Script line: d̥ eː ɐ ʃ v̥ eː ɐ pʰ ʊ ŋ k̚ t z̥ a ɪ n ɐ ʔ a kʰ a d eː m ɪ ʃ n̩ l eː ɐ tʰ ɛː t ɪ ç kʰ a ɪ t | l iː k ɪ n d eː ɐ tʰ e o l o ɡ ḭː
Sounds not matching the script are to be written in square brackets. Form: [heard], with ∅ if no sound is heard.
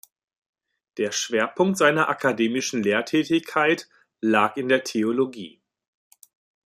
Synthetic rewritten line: d̥ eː ɐ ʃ v̥ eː ɐ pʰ ʊ ŋ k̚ t z̥ a ɪ n ɐ ʔ a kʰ a d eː m ɪ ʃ n̩ l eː ɐ tʰ ɛː t ɪ ç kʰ a ɪ t | l [aː] k ɪ n d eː ɐ tʰ e o l o ɡ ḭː